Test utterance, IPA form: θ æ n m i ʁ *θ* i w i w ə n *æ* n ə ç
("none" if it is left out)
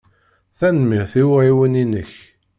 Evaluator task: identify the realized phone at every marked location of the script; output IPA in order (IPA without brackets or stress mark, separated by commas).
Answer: θ, i